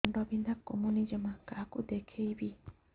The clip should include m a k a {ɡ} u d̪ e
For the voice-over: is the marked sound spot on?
no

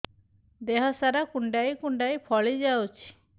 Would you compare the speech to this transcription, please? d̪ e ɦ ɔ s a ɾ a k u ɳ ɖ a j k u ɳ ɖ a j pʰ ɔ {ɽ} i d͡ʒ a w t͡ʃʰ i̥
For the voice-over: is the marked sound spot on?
no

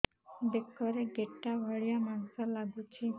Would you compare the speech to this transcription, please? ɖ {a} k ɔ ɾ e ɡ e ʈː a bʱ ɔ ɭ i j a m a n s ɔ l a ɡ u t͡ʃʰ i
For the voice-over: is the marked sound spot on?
no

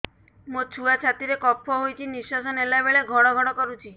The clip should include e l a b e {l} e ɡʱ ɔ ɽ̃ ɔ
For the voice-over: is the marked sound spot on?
no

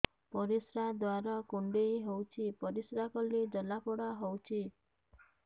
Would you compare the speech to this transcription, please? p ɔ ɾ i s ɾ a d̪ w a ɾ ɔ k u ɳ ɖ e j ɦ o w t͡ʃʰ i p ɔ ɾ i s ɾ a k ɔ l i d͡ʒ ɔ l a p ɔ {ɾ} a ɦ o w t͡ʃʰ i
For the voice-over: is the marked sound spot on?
no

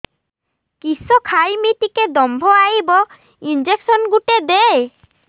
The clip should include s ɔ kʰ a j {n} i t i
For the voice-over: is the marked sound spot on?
no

